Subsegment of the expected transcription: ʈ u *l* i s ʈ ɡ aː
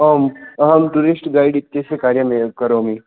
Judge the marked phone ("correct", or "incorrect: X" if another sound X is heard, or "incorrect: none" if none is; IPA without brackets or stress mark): incorrect: ɾ